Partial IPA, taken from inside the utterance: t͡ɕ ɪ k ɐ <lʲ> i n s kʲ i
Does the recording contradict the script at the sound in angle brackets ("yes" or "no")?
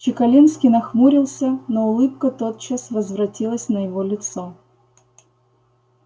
no